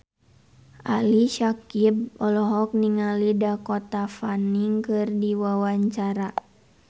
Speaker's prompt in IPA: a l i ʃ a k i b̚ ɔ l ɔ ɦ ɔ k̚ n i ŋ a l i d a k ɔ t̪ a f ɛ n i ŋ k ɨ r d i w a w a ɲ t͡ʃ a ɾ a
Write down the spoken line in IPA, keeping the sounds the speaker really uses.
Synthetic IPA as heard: a l i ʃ a k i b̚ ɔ l ɔ ɦ ɔ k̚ n i ŋ a l i d a k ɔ t̪ a f a n i ŋ k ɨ r d i w a w a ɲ t͡ʃ a ɾ a

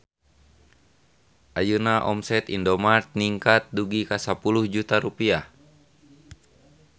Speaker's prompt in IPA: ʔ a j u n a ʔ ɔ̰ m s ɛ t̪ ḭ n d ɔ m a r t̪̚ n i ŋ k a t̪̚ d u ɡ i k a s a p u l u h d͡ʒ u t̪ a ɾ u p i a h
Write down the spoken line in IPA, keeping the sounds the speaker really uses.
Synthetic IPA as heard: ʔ a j u n a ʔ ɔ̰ m s ɛ t̪ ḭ n d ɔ m a r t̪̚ n i ŋ k a t̪̚ d u ɡ i k a s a p u l u h d͡ʒ u t̪ a ɾ u p i a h

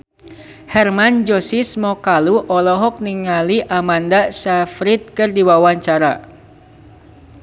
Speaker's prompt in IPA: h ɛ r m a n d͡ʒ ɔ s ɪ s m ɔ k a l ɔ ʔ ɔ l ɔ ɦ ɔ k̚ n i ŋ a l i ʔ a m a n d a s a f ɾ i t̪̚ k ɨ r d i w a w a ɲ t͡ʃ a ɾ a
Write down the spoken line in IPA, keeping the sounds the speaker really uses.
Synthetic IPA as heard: h ɛ r m a n d͡ʒ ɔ s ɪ s m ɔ k a l u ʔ ɔ l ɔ ɦ ɔ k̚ n i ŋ a l i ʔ a m a n d a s a f ɾ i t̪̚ k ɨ r d i w a w a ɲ t͡ʃ a ɾ a

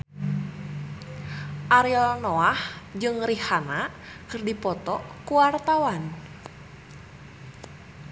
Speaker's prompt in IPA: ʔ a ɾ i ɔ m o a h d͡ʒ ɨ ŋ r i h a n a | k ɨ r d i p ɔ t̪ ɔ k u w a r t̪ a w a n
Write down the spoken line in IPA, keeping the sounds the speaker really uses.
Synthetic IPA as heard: ʔ a ɾ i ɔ n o a h d͡ʒ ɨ ŋ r i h a n a | k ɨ r d i p ɔ t̪ ɔ k u w a r t̪ a w a n

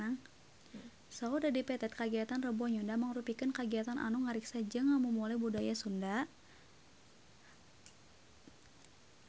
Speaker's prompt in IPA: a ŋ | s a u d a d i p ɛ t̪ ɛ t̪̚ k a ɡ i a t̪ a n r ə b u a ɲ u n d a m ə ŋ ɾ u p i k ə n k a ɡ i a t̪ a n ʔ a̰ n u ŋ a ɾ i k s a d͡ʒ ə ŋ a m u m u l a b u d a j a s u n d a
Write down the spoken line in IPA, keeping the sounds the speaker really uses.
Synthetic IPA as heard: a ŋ | s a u d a d i p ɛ t̪ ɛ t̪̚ k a ɡ i a t̪ a n r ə b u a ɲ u n d a m ə ŋ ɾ u p i k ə n k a ɡ i a t̪ a n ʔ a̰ n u ŋ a ɾ i k s a d͡ʒ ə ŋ a m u m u l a b u d a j a s u n d a

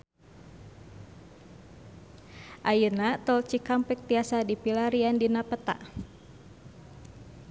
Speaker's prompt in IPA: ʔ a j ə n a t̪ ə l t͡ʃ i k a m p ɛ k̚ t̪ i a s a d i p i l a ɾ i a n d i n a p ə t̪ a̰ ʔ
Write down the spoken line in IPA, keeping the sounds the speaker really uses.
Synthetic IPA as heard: ʔ a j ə n a t̪ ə l t͡ʃ i k a m p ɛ k̚ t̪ i a s a d i p i l a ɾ i a n d i n a p ə t̪ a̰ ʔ

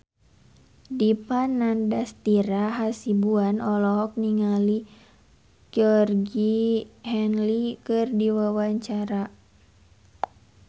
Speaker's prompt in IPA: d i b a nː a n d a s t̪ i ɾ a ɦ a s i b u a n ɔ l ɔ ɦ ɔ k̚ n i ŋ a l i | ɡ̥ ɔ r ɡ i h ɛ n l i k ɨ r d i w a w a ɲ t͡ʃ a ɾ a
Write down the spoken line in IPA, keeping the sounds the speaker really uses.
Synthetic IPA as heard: d i p a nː a n d a s t̪ i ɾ a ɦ a s i b u a n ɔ l ɔ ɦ ɔ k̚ n i ŋ a l i | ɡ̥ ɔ r ɡ i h ɛ n l i k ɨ r d i w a w a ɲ t͡ʃ a ɾ a

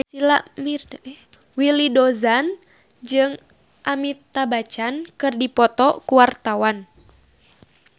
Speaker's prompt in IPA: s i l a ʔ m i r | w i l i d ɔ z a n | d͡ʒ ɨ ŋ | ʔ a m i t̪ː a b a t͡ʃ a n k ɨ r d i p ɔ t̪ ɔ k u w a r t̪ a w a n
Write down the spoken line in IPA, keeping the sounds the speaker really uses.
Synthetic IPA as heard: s i l a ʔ m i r | w i l i d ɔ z a n | d͡ʒ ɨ ŋ | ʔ a m i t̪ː a b a t͡ʃ a n k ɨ r d i p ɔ t̪ ɔ k u w a r t̪ a w a n

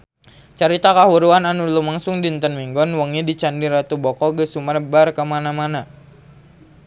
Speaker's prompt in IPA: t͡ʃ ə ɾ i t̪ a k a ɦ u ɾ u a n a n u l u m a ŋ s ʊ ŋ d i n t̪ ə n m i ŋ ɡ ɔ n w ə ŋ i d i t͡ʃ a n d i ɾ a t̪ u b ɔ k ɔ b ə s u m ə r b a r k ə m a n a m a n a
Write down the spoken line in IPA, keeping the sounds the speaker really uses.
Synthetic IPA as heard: t͡ʃ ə ɾ i t̪ a k a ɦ u ɾ u a n a n u l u m a ŋ s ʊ ŋ d i n t̪ ə n m i ŋ ɡ ɔ n w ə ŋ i d i t͡ʃ a n d i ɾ a t̪ u b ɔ k ɔ ɡ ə s u m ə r b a r k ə m a n a m a n a

